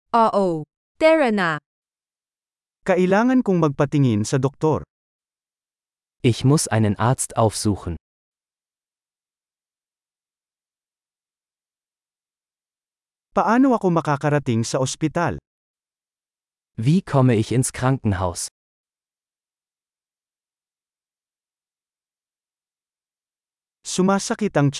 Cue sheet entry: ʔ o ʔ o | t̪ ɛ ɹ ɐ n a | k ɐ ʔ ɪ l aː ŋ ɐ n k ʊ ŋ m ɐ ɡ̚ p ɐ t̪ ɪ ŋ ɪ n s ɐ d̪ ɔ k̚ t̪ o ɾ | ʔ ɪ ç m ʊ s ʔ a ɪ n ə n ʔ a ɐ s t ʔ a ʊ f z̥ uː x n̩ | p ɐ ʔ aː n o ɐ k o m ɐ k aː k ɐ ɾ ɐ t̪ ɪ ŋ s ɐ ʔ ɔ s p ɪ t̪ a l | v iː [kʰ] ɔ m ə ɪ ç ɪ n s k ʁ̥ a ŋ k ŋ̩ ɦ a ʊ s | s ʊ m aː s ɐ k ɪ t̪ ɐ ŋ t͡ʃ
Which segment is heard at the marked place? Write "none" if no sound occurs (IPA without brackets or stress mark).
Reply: kʰ